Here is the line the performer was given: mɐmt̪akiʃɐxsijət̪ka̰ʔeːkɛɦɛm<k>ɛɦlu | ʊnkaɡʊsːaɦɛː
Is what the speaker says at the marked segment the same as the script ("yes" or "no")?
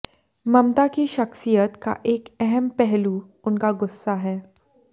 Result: no